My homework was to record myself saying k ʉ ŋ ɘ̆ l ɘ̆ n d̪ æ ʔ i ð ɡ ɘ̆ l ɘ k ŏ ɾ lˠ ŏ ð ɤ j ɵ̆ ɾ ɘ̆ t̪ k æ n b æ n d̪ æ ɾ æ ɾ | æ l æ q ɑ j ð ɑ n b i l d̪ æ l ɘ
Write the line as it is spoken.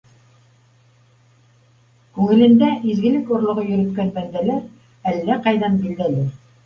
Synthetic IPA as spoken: k ʉ ŋ ɘ̆ l ɘ̆ n d̪ æ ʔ i z ɡ ɘ̆ l ɘ k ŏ ɾ lˠ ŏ ʁ ɤ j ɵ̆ ɾ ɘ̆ t̪ k æ n b æ n d̪ æ l æ ɾ | æ lː æ q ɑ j ð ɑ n b i l d̪ æ l ɘ